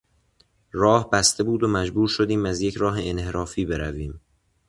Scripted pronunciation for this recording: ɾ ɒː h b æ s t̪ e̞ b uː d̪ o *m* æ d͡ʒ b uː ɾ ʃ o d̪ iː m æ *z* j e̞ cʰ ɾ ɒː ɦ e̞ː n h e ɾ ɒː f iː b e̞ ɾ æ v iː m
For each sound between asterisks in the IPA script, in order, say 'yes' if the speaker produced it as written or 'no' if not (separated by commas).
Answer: yes, yes